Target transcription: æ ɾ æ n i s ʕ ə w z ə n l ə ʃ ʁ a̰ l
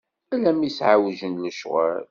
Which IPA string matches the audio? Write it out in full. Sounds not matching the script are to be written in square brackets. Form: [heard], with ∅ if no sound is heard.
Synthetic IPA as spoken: æ [l] æ [m] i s ʕ [a] w [ʒ] ə n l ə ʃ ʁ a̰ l

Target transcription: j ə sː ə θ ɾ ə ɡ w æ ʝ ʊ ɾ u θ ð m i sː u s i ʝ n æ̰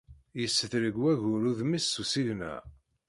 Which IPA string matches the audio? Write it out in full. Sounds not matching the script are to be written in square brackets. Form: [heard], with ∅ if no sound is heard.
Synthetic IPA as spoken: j ə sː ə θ ɾ ə ɡ w æ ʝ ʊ ɾ u [∅] ð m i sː u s i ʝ n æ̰

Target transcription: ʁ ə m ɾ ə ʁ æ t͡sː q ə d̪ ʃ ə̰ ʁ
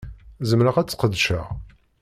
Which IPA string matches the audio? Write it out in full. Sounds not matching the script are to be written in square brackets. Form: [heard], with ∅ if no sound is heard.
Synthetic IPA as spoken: [z] ə m ɾ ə ʁ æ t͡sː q ə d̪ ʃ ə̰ ʁ

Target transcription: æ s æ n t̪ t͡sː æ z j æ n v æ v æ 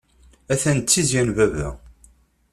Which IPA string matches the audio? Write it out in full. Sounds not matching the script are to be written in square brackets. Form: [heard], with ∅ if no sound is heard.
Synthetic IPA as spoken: æ [θ] æ n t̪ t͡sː [i] z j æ n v æ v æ

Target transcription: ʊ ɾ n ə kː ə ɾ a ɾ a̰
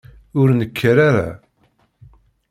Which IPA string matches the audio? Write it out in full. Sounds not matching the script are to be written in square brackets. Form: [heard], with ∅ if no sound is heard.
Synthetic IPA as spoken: ʊ ɾ n ə kː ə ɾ a ɾ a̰

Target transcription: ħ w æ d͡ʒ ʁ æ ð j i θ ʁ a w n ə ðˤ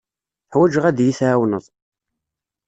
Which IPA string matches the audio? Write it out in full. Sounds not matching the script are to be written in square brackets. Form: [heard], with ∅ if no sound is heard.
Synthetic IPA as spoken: ħ w æ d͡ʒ ʁ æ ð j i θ [ʕ] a w n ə ðˤ

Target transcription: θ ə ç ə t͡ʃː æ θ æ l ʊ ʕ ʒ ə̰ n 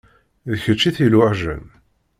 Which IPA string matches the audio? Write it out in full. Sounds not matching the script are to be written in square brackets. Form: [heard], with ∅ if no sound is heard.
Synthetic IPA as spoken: [ð] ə ç ə t͡ʃː [i] θ [i] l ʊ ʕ ʒ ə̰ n

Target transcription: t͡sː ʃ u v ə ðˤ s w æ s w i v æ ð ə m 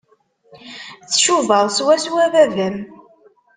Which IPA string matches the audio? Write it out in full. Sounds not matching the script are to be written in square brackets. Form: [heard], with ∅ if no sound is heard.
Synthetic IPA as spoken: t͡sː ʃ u v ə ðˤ s w æ s w [æ] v æ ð ə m

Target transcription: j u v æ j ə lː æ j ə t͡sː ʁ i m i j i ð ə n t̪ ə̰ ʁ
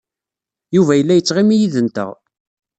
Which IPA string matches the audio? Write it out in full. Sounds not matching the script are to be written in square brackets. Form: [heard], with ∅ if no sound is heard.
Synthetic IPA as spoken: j u v æ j ə lː æ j ə t͡sː ʁ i m i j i ð ə n t̪ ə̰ ʁ

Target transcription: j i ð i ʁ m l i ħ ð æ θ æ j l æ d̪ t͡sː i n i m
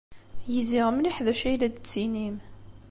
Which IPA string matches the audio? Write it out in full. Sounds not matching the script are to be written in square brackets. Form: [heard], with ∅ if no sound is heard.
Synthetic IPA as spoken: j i [z] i ʁ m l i ħ ð æ [ʃ] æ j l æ d̪ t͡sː i n i m

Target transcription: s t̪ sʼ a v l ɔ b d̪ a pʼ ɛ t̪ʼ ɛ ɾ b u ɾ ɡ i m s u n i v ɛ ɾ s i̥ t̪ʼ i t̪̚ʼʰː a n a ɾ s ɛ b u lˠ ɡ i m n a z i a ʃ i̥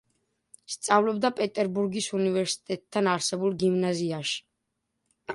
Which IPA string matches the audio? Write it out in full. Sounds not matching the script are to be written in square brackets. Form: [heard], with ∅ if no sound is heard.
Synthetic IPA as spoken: s t̪ sʼ a v l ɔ b d̪ a pʼ ɛ t̪ʼ ɛ ɾ b u ɾ ɡ i [∅] s u n i v ɛ ɾ s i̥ t̪ʼ [ɛ] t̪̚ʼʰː a n a ɾ s ɛ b u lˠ ɡ i m n a z i a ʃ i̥

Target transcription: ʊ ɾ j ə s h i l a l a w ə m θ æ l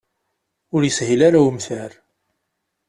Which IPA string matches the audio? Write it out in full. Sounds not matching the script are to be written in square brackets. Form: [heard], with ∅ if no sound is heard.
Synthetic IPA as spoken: ʊ ɾ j ə s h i l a [ɾ] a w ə m θ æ [ɾ]

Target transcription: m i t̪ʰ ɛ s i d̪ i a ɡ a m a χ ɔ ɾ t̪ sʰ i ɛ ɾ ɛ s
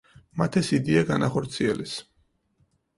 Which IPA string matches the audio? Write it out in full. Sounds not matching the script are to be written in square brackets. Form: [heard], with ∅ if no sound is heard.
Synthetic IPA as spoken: m [a] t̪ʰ ɛ s i d̪ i a ɡ a [n] a χ ɔ ɾ t̪ sʰ i ɛ [l] ɛ s

